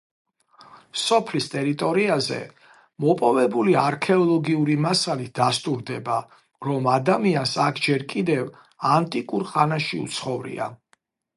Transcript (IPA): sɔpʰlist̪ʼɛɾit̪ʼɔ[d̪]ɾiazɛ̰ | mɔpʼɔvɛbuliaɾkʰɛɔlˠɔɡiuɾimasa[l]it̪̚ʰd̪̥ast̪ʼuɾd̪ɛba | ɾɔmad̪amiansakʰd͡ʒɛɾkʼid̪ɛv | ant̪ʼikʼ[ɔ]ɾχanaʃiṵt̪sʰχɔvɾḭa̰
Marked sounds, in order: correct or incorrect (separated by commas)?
incorrect, correct, incorrect